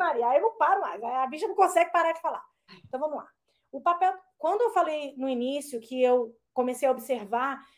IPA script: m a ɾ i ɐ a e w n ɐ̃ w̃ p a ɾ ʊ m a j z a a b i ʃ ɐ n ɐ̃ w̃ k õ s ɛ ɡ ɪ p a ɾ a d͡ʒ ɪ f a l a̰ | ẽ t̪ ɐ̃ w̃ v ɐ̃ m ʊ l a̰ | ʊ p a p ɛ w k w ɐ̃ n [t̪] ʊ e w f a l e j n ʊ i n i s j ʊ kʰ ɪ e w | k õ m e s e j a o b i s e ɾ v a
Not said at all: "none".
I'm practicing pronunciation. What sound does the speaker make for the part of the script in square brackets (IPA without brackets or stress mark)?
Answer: d̪